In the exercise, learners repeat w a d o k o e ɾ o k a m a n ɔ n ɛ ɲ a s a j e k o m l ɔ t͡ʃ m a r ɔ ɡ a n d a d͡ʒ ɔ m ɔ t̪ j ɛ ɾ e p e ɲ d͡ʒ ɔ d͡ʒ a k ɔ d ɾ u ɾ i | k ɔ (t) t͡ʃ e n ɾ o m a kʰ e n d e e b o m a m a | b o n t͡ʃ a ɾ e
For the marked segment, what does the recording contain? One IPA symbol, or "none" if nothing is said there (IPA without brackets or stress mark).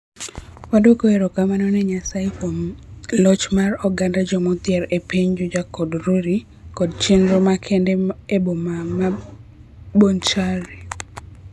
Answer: d